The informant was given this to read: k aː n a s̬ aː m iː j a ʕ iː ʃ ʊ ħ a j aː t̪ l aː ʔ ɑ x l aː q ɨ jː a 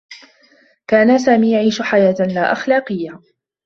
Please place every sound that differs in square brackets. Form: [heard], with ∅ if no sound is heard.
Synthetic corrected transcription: k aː n a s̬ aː m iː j a ʕ iː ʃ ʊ ħ a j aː t̪ l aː ʔ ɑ x l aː q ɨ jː a